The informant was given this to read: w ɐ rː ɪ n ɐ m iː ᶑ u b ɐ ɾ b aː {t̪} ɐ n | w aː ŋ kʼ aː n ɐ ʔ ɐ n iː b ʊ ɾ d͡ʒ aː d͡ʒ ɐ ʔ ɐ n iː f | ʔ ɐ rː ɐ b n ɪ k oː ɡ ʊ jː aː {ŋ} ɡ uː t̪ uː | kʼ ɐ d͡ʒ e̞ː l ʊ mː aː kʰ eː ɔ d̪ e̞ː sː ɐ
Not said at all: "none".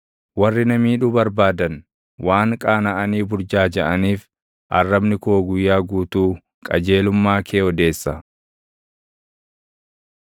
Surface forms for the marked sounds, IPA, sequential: d̪, none

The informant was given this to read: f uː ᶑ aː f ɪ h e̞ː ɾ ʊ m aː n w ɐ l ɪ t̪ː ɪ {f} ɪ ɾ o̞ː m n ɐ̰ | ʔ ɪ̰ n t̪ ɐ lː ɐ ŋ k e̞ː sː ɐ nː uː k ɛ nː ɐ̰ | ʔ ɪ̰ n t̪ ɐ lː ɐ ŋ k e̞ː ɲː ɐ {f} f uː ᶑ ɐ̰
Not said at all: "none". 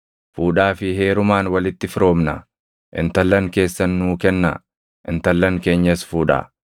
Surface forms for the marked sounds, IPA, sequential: f, s

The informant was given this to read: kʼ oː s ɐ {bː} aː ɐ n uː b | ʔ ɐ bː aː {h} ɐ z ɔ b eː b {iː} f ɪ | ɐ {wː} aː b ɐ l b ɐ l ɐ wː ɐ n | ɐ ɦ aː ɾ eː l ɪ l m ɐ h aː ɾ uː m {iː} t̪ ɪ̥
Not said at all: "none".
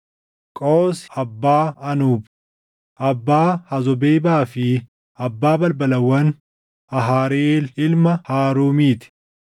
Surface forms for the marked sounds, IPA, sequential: bː, h, aː, bː, iː

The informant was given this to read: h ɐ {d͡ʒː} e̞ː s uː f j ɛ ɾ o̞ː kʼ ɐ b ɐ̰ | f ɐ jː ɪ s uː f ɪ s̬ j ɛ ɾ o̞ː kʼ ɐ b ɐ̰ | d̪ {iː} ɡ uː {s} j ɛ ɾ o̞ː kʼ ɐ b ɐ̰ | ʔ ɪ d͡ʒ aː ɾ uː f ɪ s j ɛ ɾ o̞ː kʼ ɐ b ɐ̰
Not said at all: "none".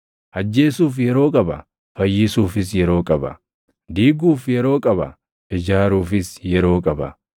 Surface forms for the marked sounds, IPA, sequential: d͡ʒː, iː, f

